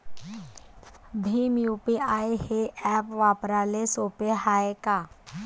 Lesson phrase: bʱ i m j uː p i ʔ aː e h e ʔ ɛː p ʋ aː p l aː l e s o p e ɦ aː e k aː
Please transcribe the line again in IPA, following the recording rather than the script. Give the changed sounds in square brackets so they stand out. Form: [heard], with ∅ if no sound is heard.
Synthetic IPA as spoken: bʱ i m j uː p i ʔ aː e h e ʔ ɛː p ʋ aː p [ɾ] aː l e s o p e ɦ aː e k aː